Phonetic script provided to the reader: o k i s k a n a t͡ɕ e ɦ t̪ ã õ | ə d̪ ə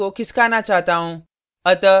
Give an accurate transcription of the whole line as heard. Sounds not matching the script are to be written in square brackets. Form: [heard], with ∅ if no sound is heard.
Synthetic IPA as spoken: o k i s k a n a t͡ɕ [a] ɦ t̪ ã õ | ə [t̪] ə